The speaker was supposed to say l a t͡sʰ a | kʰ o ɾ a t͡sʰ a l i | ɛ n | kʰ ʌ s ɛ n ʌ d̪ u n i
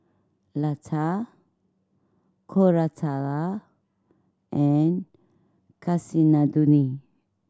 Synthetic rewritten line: l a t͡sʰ a | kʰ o ɾ a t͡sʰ a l a | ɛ n | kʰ a s i n a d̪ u n i